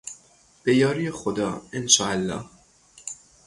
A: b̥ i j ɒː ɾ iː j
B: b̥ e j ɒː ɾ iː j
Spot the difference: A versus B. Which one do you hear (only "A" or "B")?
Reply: B